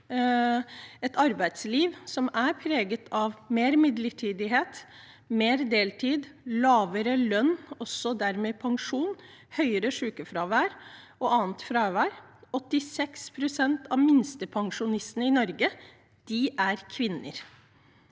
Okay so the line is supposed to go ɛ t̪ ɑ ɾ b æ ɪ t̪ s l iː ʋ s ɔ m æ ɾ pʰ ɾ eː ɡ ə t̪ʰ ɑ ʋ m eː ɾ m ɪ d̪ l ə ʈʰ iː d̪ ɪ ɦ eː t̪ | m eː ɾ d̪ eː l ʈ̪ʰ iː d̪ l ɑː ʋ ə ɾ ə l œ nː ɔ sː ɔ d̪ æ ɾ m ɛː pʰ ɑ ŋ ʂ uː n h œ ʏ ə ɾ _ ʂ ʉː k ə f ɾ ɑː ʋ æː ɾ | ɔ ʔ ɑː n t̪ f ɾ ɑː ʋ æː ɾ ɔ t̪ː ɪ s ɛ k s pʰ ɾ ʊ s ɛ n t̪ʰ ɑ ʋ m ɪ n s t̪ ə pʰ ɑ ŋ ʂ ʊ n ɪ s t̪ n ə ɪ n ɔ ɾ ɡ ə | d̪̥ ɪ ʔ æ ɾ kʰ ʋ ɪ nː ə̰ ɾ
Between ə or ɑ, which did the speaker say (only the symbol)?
ə